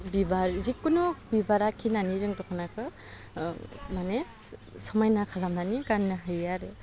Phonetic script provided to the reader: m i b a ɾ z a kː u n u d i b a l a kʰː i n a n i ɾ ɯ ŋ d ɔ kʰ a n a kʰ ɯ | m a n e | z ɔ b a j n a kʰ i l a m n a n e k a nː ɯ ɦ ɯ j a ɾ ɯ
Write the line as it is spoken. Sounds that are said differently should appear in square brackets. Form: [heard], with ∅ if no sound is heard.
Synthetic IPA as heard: [b] i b a ɾ z [i] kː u n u [b] i b a [ɾ] a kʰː i n a n i ɾ ɯ ŋ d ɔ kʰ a n a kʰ ɯ | m a n e | [s] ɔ [m] a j n a kʰ [a] l a m n a n [i] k a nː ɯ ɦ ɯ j a ɾ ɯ